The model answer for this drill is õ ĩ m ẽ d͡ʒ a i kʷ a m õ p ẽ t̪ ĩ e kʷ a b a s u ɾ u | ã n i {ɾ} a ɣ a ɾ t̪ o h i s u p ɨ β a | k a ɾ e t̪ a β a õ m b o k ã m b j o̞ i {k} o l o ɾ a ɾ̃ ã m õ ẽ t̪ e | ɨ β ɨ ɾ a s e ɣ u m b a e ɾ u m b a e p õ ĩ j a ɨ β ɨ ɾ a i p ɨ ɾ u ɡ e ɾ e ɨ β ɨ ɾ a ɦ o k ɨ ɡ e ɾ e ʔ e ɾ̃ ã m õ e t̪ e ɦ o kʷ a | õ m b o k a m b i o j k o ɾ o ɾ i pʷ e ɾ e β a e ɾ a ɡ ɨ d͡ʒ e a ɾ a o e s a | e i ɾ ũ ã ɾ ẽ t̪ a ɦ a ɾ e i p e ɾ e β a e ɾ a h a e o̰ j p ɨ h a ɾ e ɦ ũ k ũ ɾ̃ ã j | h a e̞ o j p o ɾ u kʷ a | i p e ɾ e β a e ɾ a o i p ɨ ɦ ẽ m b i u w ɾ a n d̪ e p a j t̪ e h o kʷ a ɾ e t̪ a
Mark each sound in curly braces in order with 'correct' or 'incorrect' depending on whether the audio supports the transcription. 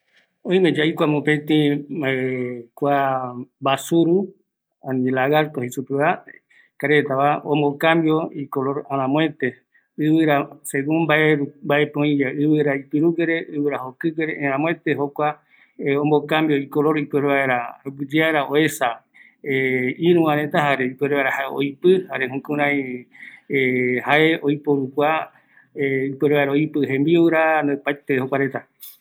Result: incorrect, correct

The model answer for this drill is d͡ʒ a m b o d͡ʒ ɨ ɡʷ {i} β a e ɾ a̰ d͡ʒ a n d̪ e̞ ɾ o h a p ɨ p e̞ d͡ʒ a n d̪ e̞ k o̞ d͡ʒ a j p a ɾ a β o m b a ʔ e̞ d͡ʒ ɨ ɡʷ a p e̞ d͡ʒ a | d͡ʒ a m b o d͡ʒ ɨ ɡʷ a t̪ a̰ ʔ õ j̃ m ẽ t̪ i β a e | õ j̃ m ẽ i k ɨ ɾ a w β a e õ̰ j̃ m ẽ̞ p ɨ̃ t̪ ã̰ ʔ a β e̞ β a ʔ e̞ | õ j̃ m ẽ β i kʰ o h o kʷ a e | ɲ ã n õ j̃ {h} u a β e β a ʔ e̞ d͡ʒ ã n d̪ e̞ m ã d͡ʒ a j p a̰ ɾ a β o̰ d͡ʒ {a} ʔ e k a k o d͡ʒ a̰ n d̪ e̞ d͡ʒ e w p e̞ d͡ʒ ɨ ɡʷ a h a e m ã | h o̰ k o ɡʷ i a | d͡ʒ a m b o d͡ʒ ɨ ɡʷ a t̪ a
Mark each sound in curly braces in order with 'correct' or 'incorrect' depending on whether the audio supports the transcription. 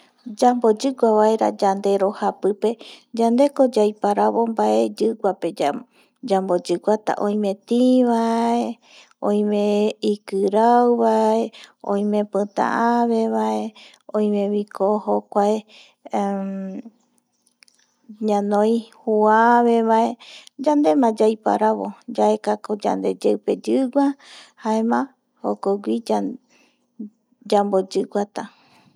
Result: incorrect, correct, correct

